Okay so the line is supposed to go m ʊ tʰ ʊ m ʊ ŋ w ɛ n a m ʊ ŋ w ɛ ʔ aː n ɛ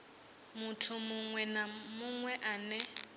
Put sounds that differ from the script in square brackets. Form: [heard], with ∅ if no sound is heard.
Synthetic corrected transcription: m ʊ tʰ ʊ m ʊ ŋ w ɛ n a m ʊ ŋ w ɛ ʔ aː n ɛ